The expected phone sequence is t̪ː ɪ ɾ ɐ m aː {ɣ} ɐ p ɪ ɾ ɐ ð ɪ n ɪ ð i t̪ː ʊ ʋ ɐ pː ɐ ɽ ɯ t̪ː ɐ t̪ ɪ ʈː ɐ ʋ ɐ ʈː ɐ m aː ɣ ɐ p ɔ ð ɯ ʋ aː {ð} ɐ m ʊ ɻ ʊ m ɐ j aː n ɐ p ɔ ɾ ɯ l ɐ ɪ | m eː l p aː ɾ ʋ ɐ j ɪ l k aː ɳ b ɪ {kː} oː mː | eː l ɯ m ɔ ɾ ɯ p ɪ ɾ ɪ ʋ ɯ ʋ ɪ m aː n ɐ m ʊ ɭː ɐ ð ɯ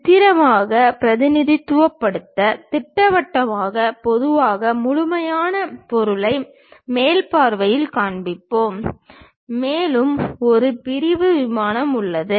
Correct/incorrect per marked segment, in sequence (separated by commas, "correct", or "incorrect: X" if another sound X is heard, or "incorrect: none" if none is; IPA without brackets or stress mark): correct, incorrect: ɣ, incorrect: pː